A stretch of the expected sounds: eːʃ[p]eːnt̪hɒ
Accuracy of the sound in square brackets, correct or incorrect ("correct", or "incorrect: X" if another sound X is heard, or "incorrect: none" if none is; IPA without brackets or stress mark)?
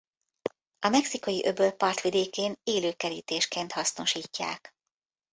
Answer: incorrect: k